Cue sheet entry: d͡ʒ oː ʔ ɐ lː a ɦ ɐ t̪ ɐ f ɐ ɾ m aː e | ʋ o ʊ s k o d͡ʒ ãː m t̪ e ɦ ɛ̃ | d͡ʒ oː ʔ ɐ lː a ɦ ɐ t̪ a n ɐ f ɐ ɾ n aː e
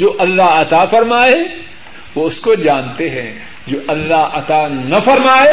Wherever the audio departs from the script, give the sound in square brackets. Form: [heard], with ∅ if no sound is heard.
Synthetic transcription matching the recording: d͡ʒ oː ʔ ɐ lː a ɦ ɐ t̪ [a] f ɐ ɾ m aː e | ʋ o ʊ s k o d͡ʒ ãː [n] t̪ e ɦ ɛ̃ | d͡ʒ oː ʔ ɐ lː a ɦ ɐ t̪ a n ɐ f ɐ ɾ [m] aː e